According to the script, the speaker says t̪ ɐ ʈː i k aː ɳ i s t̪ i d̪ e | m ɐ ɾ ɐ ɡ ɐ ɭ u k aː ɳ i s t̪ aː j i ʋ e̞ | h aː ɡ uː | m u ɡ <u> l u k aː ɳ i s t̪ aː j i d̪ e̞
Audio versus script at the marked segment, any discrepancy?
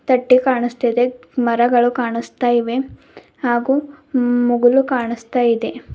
no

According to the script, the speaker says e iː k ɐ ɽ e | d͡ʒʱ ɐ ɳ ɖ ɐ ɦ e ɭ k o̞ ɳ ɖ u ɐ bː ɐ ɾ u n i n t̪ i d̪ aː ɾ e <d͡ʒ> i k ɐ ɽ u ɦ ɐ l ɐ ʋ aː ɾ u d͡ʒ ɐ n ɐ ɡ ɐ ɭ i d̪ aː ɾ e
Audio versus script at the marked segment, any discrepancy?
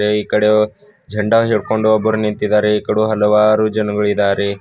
yes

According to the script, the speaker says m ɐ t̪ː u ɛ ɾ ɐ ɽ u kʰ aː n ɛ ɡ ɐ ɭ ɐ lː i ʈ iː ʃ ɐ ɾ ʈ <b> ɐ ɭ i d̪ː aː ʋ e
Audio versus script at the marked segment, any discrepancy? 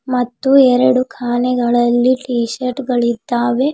yes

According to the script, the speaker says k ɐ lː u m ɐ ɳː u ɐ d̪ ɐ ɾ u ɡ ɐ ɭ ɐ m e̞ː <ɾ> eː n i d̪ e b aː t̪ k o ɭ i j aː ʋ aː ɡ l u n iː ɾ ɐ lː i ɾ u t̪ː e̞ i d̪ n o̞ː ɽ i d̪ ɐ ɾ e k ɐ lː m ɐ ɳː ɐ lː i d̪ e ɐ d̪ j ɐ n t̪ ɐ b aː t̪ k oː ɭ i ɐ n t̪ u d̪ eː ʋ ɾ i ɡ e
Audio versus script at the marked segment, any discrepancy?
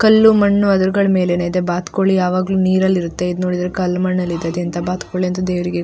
yes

